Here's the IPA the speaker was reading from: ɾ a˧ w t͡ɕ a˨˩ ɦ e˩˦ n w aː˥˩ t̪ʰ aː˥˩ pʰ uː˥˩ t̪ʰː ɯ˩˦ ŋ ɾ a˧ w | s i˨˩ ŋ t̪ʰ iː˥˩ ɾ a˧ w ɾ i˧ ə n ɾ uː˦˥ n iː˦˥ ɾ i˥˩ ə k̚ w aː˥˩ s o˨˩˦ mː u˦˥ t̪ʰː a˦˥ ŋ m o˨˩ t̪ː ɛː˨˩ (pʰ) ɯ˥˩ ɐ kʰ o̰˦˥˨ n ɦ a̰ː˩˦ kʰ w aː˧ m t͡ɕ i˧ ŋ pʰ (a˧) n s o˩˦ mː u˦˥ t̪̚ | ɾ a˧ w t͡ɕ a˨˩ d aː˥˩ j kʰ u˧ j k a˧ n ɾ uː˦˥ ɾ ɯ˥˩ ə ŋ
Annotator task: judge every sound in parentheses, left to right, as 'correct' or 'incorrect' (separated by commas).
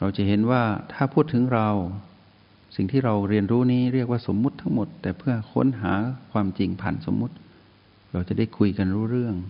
correct, incorrect